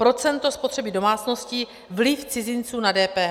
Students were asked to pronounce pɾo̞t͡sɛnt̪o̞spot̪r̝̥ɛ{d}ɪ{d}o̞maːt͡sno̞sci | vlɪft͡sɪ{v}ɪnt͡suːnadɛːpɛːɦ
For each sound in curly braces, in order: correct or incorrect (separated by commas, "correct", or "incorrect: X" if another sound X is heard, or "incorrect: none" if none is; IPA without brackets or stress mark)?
incorrect: b, correct, incorrect: z